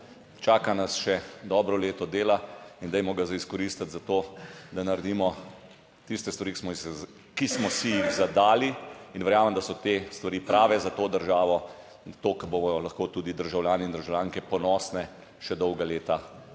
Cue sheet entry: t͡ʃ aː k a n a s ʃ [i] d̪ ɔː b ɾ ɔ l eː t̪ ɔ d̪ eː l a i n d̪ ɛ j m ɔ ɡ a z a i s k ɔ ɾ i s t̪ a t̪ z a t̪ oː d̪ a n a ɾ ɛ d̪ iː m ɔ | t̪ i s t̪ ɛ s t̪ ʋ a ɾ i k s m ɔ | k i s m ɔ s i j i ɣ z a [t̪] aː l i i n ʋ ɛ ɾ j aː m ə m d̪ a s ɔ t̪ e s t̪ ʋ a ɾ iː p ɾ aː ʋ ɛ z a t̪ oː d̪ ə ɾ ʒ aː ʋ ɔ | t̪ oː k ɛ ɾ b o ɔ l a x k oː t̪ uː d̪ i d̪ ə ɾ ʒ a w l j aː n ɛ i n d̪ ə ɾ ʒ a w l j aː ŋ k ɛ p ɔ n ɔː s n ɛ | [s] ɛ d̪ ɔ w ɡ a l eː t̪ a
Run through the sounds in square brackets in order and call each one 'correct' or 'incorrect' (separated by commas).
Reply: incorrect, incorrect, incorrect